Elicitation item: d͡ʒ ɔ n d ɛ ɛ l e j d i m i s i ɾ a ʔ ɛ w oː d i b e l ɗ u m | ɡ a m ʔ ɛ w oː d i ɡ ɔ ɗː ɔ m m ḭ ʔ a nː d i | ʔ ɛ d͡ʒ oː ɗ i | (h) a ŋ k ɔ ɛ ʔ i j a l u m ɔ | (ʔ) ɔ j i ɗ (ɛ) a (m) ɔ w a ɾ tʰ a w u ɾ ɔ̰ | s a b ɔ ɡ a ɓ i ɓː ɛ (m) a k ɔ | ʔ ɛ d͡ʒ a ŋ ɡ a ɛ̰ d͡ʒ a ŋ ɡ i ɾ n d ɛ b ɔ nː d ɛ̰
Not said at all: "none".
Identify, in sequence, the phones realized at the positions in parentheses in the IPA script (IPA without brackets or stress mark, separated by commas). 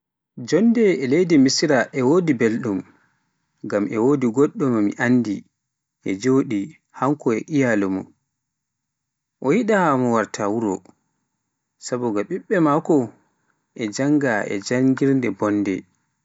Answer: h, ʔ, a, m, m